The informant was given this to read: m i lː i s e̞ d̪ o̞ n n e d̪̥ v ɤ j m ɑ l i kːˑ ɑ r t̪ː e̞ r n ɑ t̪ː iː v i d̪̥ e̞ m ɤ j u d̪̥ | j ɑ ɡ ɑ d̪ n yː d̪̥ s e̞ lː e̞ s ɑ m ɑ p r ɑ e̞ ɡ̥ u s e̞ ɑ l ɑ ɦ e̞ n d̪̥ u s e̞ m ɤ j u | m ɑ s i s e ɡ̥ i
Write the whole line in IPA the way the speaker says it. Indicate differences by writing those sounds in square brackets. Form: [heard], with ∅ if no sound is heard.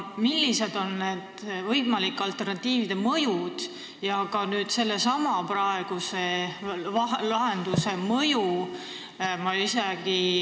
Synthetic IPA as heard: m i lː i s e̞ d̪ o̞ n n e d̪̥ v ɤ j m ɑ l i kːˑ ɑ [l] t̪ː e̞ r n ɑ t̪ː iː v i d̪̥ e̞ m ɤ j u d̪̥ | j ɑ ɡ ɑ [∅] n yː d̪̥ s e̞ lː e̞ s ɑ m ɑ p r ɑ e̞ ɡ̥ u s e̞ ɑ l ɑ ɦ e̞ n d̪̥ u s e̞ m ɤ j u | m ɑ [∅] i s e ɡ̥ i

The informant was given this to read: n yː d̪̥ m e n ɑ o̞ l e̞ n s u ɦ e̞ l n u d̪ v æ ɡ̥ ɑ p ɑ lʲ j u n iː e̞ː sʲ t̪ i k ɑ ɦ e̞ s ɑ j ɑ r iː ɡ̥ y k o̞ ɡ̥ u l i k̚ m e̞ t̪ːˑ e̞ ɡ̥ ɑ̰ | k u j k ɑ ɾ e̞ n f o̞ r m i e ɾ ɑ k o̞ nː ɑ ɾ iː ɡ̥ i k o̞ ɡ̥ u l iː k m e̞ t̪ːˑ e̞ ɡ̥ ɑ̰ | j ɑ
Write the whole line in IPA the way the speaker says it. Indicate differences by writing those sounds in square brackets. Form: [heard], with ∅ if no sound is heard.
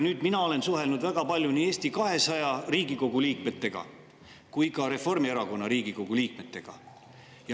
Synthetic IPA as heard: n yː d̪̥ m [i] n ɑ o̞ l e̞ n s u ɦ e̞ l n u d̪ v æ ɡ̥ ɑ p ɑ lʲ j u n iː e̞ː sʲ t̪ i k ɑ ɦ e̞ s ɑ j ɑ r iː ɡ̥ [i] k o̞ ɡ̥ u l [iː] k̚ m e̞ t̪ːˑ e̞ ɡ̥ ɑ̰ | k u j k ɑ ɾ e̞ [∅] f o̞ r m i e ɾ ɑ k o̞ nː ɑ ɾ iː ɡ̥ i k o̞ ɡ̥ u l iː k m e̞ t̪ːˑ e̞ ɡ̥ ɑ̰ | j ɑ

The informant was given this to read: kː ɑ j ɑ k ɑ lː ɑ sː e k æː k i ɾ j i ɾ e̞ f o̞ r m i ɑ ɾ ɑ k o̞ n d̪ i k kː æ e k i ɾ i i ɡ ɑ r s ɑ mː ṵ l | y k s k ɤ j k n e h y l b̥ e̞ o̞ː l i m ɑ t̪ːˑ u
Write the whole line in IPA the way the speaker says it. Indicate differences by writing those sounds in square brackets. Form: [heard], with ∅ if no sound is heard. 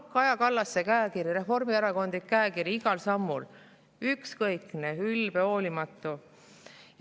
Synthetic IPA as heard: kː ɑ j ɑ k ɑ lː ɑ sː e k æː k i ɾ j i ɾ e̞ f o̞ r m i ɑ ɾ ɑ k o̞ n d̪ i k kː æ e k i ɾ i i ɡ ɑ [l] s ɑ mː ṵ l | y k s k ɤ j k n e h y l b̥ e̞ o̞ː l i m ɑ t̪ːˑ u

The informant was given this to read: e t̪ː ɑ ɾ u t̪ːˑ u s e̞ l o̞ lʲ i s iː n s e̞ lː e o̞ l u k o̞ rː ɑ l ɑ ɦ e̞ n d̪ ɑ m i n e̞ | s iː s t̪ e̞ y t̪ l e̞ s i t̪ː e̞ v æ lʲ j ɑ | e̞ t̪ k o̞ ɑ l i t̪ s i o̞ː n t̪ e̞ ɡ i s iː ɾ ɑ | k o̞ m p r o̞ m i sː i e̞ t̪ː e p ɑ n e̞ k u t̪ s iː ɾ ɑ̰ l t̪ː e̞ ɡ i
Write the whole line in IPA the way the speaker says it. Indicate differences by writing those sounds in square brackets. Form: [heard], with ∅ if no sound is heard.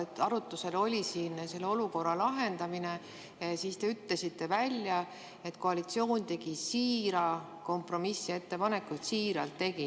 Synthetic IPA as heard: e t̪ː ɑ ɾ u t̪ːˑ u s e̞ l o̞ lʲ i s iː n s e̞ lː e o̞ l u k o̞ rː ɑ l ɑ ɦ e̞ n d̪ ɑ m i n e̞ | s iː s t̪ e̞ y t̪ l e̞ s i t̪ː e̞ v æ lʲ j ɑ | e̞ t̪ k o̞ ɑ l i t̪ s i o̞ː n t̪ e̞ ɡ i s iː ɾ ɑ | k o̞ m p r o̞ m i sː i e̞ t̪ː e p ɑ n e̞ k u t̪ s iː ɾ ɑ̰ l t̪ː e̞ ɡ i

